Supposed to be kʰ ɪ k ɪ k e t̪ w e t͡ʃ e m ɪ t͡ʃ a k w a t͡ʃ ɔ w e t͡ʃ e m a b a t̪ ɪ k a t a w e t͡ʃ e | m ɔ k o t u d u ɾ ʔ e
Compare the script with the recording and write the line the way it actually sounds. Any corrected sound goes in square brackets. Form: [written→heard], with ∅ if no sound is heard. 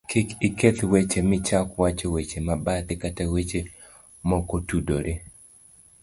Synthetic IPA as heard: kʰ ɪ k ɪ k e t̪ w e t͡ʃ e m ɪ t͡ʃ a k w a t͡ʃ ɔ w e t͡ʃ e m a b a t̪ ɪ k a t a w e t͡ʃ e | m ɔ k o t u d [u→o] ɾ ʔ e